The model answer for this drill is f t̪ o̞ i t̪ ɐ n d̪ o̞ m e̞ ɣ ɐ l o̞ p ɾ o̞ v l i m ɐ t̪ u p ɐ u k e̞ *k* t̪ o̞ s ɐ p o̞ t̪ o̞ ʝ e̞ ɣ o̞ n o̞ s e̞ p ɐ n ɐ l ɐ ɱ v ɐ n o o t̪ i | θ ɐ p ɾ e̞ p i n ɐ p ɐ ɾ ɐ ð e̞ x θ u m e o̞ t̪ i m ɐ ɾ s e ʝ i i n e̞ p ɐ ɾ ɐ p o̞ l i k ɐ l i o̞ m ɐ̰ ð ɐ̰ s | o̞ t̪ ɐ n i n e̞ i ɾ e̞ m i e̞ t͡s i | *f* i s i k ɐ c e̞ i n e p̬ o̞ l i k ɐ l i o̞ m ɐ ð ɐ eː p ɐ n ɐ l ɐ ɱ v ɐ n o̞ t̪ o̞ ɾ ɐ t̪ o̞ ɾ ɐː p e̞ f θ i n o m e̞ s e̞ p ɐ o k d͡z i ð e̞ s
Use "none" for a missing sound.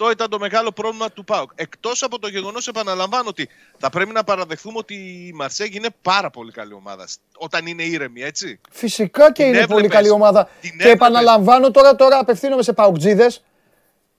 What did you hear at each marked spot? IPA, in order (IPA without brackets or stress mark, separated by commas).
k, f